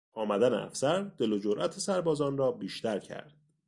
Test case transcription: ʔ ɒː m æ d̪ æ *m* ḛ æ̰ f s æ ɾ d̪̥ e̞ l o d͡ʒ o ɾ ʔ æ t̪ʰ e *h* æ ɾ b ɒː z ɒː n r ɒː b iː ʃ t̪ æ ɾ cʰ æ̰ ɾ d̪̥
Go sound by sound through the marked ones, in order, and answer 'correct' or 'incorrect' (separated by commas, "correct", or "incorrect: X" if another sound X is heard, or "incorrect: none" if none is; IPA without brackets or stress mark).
incorrect: n, incorrect: s